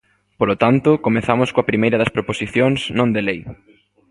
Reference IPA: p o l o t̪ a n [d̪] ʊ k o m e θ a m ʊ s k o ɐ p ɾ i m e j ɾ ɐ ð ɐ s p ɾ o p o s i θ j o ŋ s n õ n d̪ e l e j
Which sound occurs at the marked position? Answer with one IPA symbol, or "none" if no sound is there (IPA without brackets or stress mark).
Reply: t̪